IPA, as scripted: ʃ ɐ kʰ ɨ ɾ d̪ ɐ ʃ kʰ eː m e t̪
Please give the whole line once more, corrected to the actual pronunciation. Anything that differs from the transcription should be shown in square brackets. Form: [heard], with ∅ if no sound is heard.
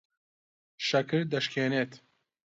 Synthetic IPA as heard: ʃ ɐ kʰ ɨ ɾ d̪ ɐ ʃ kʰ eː [n] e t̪